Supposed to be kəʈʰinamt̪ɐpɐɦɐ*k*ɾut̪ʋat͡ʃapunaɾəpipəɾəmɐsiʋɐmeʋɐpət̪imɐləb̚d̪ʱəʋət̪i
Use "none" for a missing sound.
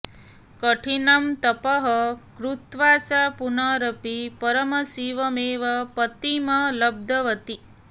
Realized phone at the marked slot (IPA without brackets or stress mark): k